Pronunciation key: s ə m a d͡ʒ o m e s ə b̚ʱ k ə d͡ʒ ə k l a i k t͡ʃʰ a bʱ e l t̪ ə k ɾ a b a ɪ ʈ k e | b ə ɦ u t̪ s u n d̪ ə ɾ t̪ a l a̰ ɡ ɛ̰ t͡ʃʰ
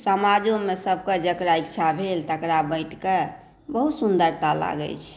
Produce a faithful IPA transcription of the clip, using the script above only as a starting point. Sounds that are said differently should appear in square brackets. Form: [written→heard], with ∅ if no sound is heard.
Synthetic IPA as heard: s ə m a d͡ʒ o m e s ə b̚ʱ k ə d͡ʒ ə k [l→ɾ] a i k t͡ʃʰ a bʱ e l t̪ ə k ɾ a b [a→ə] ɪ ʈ k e | b ə ɦ u t̪ s u n d̪ ə ɾ t̪ a l a̰ ɡ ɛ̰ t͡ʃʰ